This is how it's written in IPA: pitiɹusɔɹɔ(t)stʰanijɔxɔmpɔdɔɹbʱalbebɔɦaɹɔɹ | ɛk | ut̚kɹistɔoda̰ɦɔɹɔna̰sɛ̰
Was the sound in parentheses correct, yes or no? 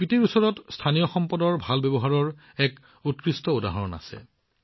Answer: yes